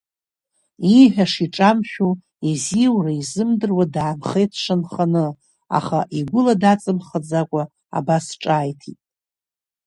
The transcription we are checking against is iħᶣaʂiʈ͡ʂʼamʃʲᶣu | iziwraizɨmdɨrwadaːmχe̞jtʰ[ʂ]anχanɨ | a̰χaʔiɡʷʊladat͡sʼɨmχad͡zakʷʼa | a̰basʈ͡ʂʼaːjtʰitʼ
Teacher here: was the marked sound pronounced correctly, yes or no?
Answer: yes